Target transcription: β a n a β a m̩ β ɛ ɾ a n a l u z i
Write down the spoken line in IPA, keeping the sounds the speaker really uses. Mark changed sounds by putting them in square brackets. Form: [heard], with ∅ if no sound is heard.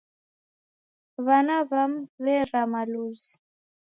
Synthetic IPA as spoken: β a n a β a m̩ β ɛ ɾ a [m] a l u z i